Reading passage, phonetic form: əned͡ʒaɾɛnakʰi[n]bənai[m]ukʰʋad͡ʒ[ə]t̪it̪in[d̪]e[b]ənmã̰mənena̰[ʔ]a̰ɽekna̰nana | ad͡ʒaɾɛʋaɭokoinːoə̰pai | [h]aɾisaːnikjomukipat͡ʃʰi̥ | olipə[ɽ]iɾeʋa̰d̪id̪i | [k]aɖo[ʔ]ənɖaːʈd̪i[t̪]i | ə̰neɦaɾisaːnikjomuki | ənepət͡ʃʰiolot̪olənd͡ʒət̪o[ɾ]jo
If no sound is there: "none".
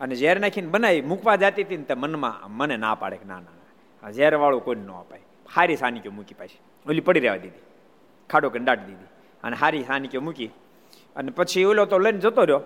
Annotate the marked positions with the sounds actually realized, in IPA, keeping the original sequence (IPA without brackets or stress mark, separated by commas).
n, m, a, t̪, m, p, h, ɽ, kʰ, k, d̪, ɾ